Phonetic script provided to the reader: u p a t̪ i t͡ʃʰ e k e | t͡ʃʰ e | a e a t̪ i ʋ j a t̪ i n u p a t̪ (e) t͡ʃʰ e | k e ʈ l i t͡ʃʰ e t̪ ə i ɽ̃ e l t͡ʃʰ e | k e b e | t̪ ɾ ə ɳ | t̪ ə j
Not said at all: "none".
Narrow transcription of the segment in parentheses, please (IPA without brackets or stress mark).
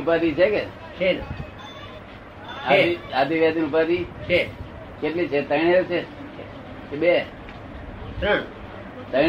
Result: i